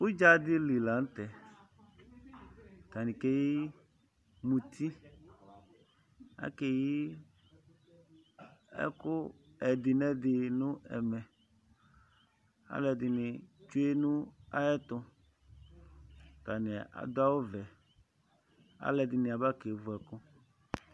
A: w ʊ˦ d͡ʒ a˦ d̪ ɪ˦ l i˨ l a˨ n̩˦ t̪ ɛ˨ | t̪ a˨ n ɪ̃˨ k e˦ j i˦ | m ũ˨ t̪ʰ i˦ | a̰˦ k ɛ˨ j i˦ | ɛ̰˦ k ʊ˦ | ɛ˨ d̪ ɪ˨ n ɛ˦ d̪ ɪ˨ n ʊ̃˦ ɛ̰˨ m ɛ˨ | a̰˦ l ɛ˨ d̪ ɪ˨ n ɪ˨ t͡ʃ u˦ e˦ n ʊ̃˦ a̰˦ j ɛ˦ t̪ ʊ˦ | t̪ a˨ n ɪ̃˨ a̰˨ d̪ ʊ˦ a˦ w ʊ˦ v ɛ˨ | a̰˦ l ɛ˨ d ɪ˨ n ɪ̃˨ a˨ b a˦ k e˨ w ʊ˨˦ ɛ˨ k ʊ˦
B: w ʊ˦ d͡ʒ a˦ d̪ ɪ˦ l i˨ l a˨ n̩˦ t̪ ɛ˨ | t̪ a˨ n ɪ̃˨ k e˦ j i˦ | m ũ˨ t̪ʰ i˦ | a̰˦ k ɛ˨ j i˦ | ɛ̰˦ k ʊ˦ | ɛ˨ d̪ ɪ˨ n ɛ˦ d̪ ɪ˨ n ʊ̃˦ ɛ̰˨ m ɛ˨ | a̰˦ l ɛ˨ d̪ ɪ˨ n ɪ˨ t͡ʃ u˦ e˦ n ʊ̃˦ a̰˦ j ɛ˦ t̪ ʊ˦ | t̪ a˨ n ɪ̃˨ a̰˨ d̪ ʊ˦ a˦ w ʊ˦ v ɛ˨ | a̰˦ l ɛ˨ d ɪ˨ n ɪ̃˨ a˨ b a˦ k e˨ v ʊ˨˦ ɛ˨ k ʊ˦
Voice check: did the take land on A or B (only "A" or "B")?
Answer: B